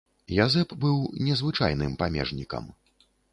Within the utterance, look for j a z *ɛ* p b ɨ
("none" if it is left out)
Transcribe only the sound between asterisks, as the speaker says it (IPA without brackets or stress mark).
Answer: ɛ